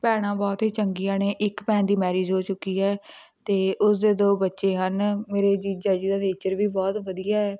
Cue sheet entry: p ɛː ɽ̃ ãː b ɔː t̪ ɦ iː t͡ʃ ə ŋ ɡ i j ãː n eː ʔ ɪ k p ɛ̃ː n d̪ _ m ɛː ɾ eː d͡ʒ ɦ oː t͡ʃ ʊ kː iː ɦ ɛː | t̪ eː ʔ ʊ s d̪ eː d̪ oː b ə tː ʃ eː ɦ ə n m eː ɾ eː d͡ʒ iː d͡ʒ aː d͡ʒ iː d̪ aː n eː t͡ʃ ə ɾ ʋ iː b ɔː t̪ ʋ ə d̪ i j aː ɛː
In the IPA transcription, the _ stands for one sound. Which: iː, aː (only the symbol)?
iː